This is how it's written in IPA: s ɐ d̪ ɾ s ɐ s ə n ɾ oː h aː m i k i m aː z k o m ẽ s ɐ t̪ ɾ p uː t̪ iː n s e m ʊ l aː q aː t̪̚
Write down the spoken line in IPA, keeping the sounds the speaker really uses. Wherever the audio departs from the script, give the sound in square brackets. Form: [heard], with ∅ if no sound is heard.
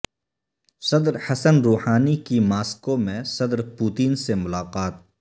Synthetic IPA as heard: s ɐ d̪ ɾ [h] ɐ s ə n ɾ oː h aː [n] i k i m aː [s] k o m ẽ s ɐ [d̪] ɾ p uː t̪ iː n s e m ʊ l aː q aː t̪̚

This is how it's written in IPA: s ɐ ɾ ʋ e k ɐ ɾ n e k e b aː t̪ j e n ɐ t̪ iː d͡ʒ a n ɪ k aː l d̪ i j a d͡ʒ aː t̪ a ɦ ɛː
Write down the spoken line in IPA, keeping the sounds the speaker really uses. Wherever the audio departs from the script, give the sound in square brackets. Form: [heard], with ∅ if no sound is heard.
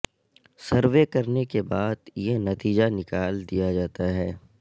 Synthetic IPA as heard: s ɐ ɾ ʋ e k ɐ ɾ n e k e b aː [d̪] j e n ɐ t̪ iː d͡ʒ a n ɪ k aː l d̪ i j a d͡ʒ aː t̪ a ɦ ɛː

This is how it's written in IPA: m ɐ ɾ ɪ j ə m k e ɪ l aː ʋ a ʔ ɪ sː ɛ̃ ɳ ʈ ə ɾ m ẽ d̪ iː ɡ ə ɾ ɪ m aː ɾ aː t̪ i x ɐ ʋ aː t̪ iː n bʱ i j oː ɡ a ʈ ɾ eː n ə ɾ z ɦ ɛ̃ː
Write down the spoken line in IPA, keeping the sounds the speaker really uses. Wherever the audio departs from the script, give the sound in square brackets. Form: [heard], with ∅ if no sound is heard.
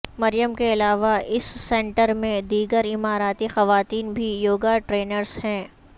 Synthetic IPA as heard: m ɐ ɾ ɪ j ə m k e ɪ l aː ʋ a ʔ ɪ sː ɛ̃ ɳ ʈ ə ɾ m ẽ d̪ iː ɡ ə ɾ ɪ m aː ɾ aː t̪ i x ɐ ʋ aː t̪ iː n bʱ i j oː ɡ a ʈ ɾ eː n ə ɾ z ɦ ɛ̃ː

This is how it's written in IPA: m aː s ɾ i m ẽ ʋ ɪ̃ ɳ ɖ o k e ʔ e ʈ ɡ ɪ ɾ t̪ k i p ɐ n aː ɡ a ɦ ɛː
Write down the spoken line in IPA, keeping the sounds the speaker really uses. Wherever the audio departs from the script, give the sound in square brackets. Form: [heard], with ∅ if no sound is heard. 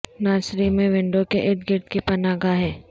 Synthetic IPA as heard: [n] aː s ɾ i m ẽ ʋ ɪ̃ ɳ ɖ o k e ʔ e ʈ ɡ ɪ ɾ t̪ k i p ɐ n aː ɡ a ɦ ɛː

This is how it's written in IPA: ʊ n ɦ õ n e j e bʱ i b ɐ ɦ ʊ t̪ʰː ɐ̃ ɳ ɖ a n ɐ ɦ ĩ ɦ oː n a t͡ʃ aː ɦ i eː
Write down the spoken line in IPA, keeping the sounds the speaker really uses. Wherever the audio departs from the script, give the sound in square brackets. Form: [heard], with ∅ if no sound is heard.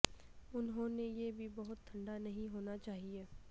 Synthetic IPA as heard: ʊ n ɦ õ n e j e bʱ i b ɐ ɦ ʊ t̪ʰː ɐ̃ ɳ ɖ a n ɐ ɦ ĩ ɦ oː n a t͡ʃ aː ɦ i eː

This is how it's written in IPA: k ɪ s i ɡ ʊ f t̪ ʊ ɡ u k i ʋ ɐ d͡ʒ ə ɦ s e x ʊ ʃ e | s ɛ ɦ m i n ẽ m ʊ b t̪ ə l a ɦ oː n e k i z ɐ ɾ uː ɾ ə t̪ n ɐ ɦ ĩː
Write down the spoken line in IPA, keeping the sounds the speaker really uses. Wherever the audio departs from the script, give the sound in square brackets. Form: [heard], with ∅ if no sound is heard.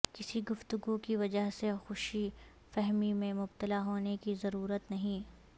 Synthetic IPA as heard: k ɪ s i ɡ ʊ f t̪ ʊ ɡ u k i ʋ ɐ d͡ʒ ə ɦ s e x ʊ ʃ [i] | [f] ɛ ɦ m i [m] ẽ m ʊ b t̪ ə l a ɦ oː n e k i z ɐ ɾ uː ɾ ə t̪ n ɐ ɦ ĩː

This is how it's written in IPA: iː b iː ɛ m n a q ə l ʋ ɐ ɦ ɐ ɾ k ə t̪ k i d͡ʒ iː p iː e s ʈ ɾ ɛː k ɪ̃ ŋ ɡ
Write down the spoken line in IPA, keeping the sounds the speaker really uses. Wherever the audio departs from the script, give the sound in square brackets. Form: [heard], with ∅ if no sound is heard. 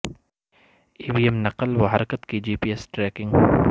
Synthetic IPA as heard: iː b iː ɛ m n [ɐ] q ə l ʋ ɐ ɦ ɐ ɾ k ə t̪ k i d͡ʒ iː p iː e s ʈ ɾ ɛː k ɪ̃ ŋ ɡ

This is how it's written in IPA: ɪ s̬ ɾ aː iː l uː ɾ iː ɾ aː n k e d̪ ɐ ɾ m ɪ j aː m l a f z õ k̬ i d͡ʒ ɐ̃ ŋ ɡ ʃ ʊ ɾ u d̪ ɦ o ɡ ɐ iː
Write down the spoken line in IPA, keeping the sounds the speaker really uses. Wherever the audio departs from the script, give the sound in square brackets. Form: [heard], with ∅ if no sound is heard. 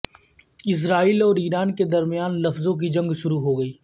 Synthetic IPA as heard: ɪ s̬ ɾ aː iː l [ɔː] ɾ iː ɾ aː n k e d̪ ɐ ɾ m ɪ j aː [n] l [ɐ] f z õ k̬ i d͡ʒ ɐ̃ ŋ ɡ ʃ ʊ ɾ u [∅] ɦ o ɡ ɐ iː

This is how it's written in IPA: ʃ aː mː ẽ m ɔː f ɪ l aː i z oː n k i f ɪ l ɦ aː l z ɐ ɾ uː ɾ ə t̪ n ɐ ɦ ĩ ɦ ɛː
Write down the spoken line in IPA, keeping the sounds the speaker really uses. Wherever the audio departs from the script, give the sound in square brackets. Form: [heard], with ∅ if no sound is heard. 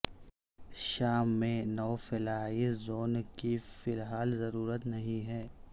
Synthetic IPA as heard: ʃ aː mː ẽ [n] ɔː f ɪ l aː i z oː n k i f ɪ l ɦ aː l z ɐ ɾ uː ɾ ə t̪ n ɐ ɦ ĩ ɦ ɛː

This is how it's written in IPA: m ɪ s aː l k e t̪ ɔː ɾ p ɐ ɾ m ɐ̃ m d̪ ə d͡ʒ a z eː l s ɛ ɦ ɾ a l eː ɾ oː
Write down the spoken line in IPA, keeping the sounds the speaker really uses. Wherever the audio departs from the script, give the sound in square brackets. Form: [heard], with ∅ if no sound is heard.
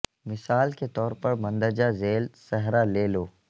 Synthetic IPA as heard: m ɪ s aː l k e t̪ ɔː ɾ p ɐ ɾ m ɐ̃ [n] d̪ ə d͡ʒ a z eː l s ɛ ɦ ɾ a l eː [l] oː

